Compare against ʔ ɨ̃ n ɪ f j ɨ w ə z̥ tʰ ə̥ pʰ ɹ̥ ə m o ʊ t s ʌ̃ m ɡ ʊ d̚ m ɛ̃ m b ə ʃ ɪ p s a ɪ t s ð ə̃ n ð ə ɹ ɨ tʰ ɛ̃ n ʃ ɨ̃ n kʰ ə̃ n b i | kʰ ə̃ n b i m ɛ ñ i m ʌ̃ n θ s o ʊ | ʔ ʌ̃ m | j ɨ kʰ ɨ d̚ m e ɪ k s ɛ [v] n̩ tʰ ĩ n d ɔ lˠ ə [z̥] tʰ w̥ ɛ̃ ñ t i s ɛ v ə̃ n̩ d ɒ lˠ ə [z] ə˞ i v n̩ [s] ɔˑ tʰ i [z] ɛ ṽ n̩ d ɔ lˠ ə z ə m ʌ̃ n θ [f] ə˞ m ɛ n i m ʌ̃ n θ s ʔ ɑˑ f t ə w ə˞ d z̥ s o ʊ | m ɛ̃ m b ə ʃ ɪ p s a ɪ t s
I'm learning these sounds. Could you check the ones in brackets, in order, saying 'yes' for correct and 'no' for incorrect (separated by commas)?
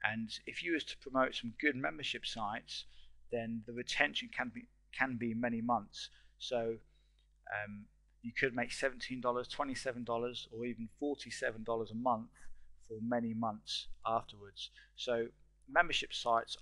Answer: yes, yes, yes, no, no, yes